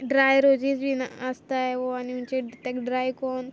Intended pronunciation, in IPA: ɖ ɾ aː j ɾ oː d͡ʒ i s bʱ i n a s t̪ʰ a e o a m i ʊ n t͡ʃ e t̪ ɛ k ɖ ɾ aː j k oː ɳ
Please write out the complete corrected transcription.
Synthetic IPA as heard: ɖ ɾ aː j ɾ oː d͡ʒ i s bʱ i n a s t̪ a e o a n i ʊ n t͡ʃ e t̪ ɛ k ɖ ɾ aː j k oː n